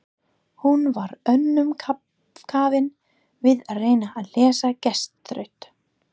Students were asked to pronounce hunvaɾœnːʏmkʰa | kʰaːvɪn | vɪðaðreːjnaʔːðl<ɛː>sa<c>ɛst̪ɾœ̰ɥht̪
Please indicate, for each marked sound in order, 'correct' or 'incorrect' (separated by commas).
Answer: correct, correct